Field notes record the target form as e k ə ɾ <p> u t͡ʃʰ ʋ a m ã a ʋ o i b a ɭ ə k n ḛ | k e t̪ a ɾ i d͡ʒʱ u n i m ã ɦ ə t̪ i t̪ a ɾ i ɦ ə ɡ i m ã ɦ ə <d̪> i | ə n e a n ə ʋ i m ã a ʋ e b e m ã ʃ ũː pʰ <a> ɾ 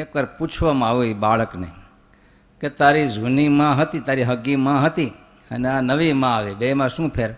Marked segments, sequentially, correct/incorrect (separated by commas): correct, incorrect, incorrect